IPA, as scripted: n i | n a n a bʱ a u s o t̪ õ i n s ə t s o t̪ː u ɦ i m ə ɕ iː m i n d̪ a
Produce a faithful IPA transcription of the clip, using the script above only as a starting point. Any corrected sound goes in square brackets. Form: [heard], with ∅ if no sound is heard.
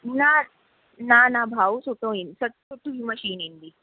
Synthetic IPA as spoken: n [a] | n a n a bʱ a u s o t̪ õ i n s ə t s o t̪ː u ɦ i m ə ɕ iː [n] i n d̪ [i]